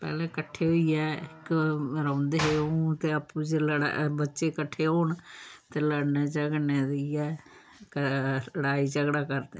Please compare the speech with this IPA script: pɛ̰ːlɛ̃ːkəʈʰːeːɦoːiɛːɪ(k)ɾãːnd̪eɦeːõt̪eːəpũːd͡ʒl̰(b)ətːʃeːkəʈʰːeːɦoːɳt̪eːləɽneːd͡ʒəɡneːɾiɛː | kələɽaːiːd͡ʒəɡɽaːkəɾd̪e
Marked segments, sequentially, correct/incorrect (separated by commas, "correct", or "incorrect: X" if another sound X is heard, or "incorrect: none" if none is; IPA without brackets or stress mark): correct, correct